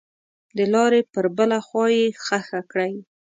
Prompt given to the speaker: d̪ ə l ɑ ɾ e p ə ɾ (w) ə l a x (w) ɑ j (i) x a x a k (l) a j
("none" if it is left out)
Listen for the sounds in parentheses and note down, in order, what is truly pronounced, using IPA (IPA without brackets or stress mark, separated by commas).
b, w, e, ɽ